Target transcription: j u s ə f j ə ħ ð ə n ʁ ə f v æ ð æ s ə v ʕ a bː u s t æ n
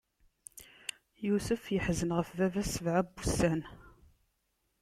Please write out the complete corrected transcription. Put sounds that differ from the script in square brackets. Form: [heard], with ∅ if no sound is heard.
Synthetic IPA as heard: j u s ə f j ə ħ [z] ə n ʁ ə f v æ [v] æ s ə v ʕ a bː u s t æ n